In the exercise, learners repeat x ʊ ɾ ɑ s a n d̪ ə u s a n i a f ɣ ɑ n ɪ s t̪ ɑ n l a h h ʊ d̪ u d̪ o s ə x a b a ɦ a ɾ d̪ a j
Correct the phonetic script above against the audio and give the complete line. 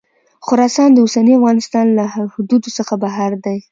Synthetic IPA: x ʊ ɾ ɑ s ɑ n d̪ ə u s a n i a f ɣ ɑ n ɪ s t̪ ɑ n l a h h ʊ d̪ u d̪ o s ə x a b a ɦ a ɾ d̪ a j